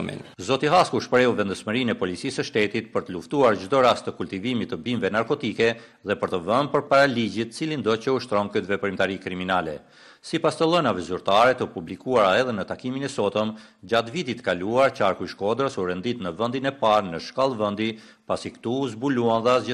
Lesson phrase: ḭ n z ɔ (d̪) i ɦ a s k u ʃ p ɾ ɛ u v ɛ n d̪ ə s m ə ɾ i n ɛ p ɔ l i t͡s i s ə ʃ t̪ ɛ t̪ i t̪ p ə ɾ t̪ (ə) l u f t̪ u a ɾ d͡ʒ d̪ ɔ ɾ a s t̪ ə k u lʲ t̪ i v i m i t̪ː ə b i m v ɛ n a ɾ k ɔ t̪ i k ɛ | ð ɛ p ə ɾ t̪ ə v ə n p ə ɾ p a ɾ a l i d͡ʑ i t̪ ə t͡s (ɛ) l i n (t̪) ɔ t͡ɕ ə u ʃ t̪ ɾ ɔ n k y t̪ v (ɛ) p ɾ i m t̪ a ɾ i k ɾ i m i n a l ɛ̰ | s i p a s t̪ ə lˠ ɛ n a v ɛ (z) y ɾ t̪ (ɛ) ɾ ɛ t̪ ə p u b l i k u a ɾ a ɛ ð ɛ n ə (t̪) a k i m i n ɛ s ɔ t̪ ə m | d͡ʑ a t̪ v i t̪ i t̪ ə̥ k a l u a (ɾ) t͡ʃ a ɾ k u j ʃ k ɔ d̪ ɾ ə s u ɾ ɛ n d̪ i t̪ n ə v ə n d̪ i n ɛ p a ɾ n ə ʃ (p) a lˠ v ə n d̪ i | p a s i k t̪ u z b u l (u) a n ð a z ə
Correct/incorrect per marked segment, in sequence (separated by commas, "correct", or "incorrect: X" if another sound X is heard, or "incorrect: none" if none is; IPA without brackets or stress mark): incorrect: t̪, correct, incorrect: i, incorrect: d̪, correct, correct, incorrect: a, correct, correct, incorrect: k, correct